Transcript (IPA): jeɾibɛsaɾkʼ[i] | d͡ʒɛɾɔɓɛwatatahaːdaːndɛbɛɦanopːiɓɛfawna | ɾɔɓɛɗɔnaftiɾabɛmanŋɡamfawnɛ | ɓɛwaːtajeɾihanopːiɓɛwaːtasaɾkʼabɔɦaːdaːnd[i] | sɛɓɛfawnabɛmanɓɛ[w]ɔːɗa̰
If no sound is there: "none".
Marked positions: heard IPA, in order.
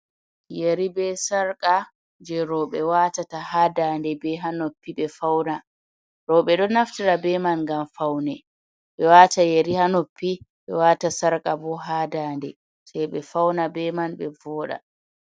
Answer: a, ɛ, v

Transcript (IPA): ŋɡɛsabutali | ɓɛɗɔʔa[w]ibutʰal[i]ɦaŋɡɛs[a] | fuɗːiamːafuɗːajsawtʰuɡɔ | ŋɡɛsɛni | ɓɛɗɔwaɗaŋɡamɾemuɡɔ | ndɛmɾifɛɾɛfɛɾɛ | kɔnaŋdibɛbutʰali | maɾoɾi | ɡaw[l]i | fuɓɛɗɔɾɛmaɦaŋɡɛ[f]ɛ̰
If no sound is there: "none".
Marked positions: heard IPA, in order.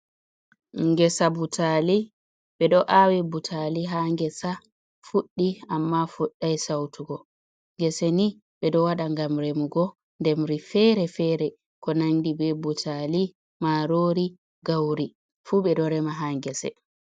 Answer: w, i, a, ɾ, s

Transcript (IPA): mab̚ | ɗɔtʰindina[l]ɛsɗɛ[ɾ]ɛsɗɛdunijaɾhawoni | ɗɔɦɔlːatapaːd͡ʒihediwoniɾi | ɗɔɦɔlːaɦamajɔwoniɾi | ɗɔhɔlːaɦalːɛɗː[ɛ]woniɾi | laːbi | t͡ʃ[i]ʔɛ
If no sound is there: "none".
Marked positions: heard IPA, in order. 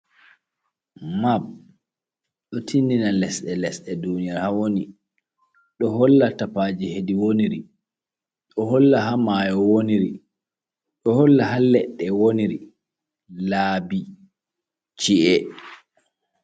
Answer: l, l, ɛ, i

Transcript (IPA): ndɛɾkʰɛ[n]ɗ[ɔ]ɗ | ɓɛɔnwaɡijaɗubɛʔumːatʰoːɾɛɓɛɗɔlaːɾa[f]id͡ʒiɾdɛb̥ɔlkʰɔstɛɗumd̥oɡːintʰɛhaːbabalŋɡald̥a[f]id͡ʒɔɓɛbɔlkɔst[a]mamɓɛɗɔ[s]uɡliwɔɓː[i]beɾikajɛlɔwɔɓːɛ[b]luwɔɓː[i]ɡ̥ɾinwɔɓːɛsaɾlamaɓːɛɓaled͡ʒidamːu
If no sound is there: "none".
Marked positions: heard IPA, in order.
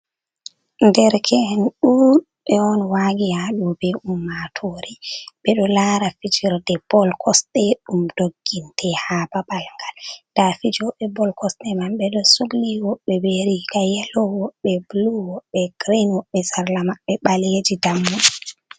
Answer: n, u, f, f, ɛ, s, ɛ, b, ɛ

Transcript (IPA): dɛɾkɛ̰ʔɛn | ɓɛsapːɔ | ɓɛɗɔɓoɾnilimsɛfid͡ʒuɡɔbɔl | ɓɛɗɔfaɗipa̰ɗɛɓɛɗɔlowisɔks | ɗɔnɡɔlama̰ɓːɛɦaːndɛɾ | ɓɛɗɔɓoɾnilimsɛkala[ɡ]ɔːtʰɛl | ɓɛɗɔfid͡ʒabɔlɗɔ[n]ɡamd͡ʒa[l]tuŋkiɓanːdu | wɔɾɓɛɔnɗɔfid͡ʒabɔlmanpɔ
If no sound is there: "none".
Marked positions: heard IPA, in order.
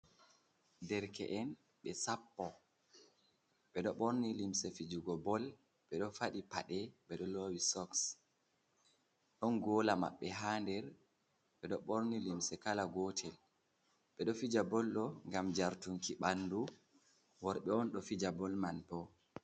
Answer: ɡ, ŋ, ɾ

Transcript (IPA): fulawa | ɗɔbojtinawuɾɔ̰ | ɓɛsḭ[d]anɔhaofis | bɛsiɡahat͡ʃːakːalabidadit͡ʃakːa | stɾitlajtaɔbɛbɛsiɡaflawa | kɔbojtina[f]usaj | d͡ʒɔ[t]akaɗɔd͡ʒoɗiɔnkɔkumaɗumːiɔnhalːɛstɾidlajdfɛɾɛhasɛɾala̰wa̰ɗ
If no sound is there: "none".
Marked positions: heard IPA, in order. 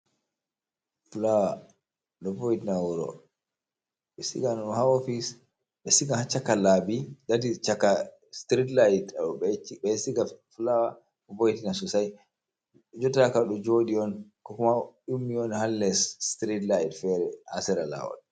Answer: ɡ, s, t

